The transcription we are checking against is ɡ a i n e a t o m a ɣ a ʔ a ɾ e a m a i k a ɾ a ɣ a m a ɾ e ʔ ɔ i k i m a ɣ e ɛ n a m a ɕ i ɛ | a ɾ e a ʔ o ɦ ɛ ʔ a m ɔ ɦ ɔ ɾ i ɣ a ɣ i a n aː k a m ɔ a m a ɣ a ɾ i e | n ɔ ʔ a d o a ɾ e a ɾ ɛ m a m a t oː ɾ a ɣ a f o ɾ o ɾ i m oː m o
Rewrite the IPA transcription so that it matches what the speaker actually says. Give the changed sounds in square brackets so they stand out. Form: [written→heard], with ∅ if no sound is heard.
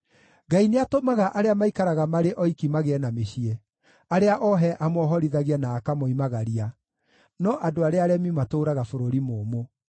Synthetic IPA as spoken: ɡ a i n e a t o m a ɣ a ʔ a ɾ e a m a i k a ɾ a ɣ a m a ɾ e ʔ ɔ i k i m a ɣ e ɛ n a m [a→e] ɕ i ɛ | a ɾ e a ʔ [o→ɔ] ɦ ɛ ʔ a m ɔ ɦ ɔ ɾ i [ɣ→ð] a ɣ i a n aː k a m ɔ [a→i] m a ɣ a ɾ i [e→a] | n ɔ ʔ a d o a ɾ e a ɾ ɛ m [a→i] m a t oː ɾ a ɣ a f o ɾ o ɾ i m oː m o

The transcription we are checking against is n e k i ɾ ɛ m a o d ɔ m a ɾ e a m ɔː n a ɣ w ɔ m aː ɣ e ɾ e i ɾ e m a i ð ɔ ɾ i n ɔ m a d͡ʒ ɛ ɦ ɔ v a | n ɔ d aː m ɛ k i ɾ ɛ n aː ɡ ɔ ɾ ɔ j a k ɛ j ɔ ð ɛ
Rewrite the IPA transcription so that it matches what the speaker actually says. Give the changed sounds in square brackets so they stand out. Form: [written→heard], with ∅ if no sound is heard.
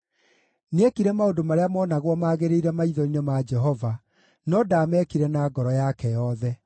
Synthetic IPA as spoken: n e k i ɾ ɛ m a o d [ɔ→o] m a ɾ e a m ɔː n a ɣ w ɔ m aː ɣ e ɾ e i ɾ [e→ɛ] m a i ð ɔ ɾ i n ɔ m a d͡ʒ ɛ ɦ ɔ v a | n ɔ d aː m ɛ k i ɾ ɛ n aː ɡ ɔ ɾ ɔ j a k ɛ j ɔ ð ɛ

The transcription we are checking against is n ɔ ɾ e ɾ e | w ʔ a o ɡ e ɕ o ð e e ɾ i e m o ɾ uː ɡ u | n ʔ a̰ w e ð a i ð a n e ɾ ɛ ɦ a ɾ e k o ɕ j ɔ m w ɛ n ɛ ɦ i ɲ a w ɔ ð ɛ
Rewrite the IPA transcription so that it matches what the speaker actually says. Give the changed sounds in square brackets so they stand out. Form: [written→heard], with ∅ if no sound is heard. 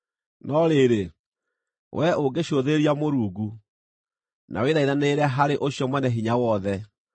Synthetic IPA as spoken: n ɔ ɾ e ɾ e | w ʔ [a→ɛ] o ɡ e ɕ o ð e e ɾ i [e→a] m o ɾ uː ɡ u | n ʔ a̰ w e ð a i ð a n e ɾ ɛ ɦ a ɾ e [k→ʔ] o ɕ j ɔ m w ɛ n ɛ ɦ i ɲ a w ɔ ð ɛ

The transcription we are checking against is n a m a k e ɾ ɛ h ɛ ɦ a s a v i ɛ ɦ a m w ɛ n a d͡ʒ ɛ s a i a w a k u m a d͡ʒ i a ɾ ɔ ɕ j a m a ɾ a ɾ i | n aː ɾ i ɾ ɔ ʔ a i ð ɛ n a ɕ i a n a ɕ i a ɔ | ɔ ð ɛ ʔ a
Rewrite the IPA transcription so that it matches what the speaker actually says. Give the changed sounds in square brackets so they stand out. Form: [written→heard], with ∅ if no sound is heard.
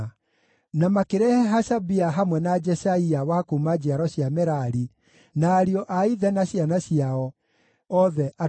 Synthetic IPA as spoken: n a m a k e ɾ ɛ h ɛ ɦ a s a [v→b] i [ɛ→a] ɦ a m w ɛ n a d͡ʒ ɛ s a i a w a k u m a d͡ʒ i a ɾ ɔ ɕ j a m [a→ɛ] ɾ a ɾ i | n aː ɾ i [ɾ→∅] ɔ ʔ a i ð ɛ n a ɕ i a n a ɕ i a ɔ | ɔ ð ɛ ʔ a

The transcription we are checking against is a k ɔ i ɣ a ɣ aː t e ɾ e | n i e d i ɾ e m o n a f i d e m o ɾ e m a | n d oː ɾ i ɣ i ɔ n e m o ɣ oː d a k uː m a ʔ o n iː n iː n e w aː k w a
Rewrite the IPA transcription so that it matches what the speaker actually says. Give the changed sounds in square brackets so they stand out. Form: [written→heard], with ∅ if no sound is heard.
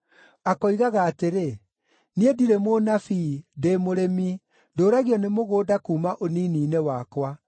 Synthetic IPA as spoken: a k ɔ i ɣ a ɣ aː t e ɾ e | n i e d i ɾ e m o n a f i d e m o ɾ e m [a→i] | n d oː ɾ [i→a] ɣ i ɔ n e m o ɣ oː d a k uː m a ʔ o n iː n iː n e w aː k w a

